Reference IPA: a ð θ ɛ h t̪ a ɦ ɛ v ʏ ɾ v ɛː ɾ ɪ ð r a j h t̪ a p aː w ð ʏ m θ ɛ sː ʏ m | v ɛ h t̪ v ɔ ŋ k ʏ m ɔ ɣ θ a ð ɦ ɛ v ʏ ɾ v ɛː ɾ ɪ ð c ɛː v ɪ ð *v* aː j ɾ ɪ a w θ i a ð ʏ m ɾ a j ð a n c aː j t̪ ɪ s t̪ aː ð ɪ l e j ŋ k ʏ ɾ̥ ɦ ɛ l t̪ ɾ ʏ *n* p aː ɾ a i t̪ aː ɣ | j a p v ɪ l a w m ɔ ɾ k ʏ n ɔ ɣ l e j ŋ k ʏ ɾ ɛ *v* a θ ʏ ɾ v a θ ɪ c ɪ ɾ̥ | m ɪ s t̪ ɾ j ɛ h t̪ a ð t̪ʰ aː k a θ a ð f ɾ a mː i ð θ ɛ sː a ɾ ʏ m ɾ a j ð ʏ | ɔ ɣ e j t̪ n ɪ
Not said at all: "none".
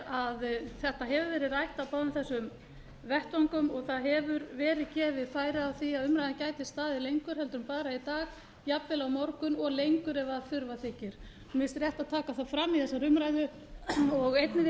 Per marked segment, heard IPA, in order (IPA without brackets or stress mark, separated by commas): f, m, v